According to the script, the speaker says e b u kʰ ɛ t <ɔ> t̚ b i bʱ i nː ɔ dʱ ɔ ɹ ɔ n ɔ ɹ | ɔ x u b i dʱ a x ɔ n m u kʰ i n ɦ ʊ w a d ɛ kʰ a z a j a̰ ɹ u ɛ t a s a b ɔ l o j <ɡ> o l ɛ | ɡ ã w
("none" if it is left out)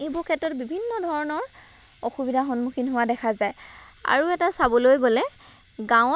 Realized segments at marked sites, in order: ɔ, ɡ

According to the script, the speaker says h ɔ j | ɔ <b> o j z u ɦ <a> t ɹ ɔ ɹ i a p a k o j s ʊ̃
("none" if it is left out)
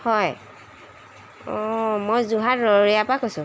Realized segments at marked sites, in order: m, a

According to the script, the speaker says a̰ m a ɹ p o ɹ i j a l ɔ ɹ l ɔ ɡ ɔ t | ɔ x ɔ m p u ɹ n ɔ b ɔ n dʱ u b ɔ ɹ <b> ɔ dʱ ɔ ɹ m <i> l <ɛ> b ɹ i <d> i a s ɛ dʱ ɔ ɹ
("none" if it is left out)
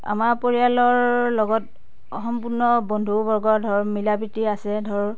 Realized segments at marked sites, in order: ɡ, i, a, t

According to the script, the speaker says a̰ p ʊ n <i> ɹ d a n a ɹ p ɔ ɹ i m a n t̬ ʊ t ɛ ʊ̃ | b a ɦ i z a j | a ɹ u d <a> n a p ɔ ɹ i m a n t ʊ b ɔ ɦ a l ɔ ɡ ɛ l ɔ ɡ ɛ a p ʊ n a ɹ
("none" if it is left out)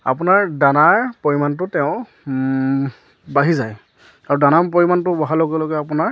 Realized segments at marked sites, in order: a, a

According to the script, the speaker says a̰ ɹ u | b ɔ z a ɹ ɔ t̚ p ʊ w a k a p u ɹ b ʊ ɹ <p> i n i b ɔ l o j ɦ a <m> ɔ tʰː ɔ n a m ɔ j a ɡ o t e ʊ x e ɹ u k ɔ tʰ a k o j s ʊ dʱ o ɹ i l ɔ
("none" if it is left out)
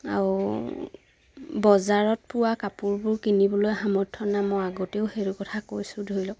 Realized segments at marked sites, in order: k, m

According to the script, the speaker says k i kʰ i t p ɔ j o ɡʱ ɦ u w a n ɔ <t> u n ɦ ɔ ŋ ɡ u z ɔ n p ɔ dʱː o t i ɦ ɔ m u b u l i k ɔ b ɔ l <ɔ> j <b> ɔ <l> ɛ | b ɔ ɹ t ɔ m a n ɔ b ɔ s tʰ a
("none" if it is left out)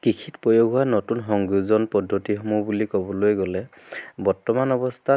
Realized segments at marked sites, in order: t, o, ɡ, l

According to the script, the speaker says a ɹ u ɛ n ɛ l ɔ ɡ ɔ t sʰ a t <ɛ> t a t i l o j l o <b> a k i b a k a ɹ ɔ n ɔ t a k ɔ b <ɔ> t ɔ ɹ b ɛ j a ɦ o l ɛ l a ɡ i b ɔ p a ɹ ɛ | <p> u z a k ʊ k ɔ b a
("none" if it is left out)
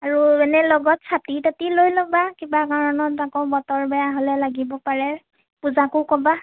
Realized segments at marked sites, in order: i, b, ɔ, p

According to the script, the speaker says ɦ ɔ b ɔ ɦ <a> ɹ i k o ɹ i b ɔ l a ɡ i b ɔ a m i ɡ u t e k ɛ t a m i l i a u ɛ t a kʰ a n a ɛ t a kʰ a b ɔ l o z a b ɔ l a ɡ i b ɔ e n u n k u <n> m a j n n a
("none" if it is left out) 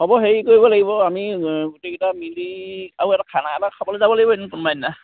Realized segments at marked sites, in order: e, n

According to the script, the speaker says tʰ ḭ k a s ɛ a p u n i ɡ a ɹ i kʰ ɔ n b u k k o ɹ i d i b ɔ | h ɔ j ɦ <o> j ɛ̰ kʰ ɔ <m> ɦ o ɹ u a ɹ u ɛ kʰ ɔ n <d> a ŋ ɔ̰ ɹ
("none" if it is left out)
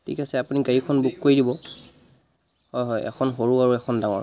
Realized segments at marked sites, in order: ɔ, n, d

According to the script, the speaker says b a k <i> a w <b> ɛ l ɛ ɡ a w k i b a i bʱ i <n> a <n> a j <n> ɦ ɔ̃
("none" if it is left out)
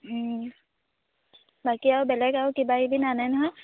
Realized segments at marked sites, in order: i, b, n, n, n

